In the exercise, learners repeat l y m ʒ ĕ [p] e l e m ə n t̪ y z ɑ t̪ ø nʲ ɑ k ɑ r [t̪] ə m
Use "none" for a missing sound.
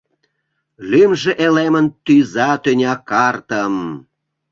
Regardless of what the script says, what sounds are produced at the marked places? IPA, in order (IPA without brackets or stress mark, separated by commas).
ʔ, t̪